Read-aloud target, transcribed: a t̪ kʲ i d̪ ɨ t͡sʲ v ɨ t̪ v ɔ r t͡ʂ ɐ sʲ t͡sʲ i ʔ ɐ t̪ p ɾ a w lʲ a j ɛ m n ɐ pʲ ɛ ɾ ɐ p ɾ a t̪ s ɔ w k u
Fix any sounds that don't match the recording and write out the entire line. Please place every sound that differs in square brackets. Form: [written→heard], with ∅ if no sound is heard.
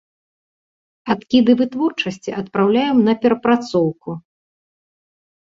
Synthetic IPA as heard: a t̪ kʲ i d̪ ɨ [t͡sʲ→∅] v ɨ t̪ v ɔ r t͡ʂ ɐ sʲ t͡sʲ i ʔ ɐ t̪ p ɾ a w lʲ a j ɛ m n ɐ pʲ ɛ ɾ ɐ p ɾ a t̪ s ɔ w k u